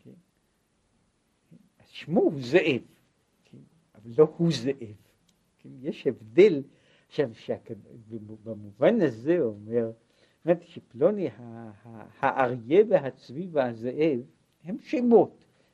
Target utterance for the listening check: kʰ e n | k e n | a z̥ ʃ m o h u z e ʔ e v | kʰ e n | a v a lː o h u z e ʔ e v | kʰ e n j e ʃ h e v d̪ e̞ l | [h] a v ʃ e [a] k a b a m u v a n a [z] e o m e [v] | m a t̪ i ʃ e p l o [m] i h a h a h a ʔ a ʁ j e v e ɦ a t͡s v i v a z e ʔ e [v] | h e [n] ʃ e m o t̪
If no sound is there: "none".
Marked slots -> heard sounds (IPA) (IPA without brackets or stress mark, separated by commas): ʃ, a, z, ʁ, n, v, m